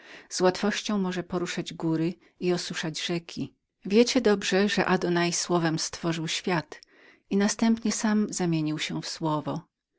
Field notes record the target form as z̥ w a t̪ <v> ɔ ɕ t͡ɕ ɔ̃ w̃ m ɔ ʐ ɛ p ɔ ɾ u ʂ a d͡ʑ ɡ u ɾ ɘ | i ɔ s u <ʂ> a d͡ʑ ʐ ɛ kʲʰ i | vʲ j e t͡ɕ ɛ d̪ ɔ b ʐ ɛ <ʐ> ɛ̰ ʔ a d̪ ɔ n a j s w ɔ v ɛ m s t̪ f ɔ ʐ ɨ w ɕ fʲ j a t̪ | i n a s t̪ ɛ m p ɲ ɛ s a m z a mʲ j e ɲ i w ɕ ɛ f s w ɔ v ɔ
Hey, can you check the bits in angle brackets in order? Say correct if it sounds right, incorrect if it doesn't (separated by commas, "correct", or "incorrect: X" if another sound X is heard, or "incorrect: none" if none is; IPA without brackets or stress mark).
incorrect: f, correct, correct